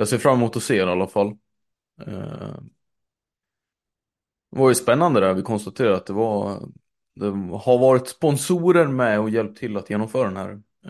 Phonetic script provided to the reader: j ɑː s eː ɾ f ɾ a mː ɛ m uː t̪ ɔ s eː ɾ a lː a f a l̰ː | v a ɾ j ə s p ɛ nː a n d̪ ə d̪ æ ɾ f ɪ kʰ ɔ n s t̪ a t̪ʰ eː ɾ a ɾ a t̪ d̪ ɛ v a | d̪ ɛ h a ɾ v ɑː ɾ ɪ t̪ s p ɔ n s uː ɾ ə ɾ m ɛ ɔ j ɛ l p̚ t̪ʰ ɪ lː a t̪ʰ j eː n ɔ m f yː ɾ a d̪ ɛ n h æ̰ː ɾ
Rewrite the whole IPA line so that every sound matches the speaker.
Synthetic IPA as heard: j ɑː s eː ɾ f ɾ a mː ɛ m uː t̪ ɔ s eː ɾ a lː a f a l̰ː | v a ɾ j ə s p ɛ nː a n d̪ ə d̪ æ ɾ v ɪ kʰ ɔ n s t̪ a t̪ʰ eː ɾ a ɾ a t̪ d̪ ɛ v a | d̪ ɛ h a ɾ v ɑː ɾ ɪ t̪ s p ɔ n s uː ɾ ə ɾ m ɛ ɔ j ɛ l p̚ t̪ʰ ɪ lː a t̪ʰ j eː n ɔ m f œː ɾ a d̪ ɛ n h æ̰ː ɾ